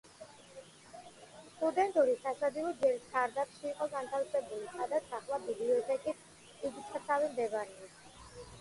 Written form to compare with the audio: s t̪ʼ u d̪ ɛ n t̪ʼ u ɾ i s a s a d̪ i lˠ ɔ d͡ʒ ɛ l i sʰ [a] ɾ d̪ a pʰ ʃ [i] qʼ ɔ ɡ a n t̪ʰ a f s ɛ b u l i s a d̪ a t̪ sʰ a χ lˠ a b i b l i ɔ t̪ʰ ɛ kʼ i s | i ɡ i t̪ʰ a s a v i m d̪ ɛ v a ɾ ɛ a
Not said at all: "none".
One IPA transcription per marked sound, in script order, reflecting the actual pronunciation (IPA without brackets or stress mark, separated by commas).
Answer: a, iː